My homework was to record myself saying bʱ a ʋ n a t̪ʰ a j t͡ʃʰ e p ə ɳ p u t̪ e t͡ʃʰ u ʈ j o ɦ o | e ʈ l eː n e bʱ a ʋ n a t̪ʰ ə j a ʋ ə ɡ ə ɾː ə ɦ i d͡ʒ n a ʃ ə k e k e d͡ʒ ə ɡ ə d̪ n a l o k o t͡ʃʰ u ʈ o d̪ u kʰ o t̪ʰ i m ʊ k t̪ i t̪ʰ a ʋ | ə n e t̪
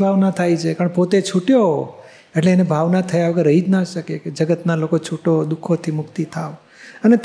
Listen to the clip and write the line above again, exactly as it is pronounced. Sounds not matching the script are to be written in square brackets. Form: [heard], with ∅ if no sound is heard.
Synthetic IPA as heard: bʱ a ʋ n a t̪ʰ a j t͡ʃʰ e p ə ɳ p [o] t̪ e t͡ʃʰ u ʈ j o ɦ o | e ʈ l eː n e bʱ a ʋ n a t̪ʰ ə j a ʋ ə ɡ ə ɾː ə ɦ i d͡ʒ n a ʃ ə k e k e d͡ʒ ə ɡ ə [t̪] n a l o k o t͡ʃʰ u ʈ o d̪ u kʰ o t̪ʰ i m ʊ k t̪ i t̪ʰ a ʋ | ə n e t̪